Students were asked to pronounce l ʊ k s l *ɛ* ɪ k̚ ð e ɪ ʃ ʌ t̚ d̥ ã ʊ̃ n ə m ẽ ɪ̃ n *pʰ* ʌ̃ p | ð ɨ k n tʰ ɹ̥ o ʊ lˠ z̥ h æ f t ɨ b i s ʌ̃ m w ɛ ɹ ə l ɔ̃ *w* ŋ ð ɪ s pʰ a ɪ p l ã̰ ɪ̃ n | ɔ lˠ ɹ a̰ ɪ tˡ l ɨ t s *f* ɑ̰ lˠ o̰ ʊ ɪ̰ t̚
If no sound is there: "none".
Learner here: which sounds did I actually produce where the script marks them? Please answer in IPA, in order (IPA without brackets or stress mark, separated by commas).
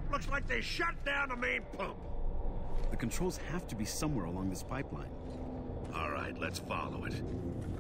a, pʰ, none, f